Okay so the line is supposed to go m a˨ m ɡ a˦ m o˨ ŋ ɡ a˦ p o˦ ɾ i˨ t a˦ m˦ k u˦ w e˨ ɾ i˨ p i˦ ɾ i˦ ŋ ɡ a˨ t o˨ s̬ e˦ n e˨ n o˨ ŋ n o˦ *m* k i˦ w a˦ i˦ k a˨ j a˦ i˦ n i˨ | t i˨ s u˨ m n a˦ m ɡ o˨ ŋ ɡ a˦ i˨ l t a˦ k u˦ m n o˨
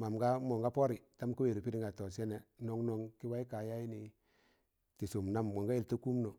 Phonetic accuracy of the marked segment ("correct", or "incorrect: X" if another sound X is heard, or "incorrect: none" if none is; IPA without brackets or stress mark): incorrect: ŋ